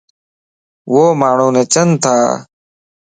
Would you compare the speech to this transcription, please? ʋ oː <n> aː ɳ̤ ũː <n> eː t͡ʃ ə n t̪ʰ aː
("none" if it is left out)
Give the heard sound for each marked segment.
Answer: m, n

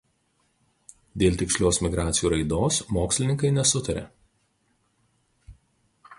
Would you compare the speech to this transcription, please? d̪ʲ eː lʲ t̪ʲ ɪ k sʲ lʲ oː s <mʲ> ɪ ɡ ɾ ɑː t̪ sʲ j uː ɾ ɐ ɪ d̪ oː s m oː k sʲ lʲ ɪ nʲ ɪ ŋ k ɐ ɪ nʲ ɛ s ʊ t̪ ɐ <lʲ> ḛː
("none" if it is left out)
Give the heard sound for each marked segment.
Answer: mʲ, ɾʲ

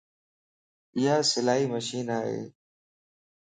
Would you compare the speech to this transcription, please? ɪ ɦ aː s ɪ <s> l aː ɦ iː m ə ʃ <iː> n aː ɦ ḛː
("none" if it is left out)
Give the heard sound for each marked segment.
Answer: none, iː

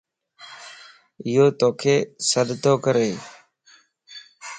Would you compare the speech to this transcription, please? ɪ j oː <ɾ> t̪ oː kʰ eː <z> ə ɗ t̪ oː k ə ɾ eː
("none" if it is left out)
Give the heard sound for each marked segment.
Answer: none, s

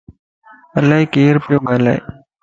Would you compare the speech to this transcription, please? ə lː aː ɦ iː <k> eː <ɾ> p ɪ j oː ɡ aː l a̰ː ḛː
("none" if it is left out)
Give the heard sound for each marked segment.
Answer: k, ɾ

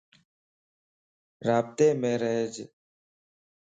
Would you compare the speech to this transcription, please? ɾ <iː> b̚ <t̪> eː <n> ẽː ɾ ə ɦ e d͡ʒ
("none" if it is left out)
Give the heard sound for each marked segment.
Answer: aː, t̪, m

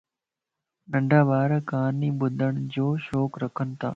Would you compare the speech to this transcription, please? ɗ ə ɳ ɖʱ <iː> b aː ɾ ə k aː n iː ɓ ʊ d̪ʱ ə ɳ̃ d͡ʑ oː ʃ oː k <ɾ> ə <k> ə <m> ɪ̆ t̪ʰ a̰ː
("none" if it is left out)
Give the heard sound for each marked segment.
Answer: aː, ɾ, kʰ, n

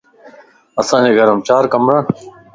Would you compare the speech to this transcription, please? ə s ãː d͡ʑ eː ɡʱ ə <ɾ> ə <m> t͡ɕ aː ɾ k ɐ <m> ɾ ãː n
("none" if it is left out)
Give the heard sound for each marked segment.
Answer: ɾ, m, m

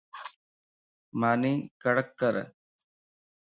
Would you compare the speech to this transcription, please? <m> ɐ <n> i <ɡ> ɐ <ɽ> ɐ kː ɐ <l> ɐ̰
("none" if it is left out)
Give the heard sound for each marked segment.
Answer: m, n, k, ɽ, ɾ

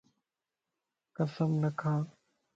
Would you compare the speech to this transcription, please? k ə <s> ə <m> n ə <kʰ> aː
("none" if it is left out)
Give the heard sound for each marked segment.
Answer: s, m, kʰ

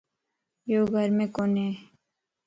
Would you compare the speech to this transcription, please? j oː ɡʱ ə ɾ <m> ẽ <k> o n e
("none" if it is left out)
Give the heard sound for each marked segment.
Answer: m, k

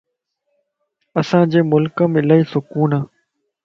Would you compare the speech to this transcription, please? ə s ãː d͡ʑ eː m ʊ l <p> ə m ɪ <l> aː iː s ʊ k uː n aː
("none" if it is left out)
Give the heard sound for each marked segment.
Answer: k, l

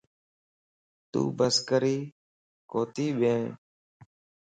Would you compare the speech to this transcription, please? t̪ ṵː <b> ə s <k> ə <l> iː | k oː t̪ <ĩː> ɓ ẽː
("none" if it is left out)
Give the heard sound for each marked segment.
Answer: b, k, ɾ, iː

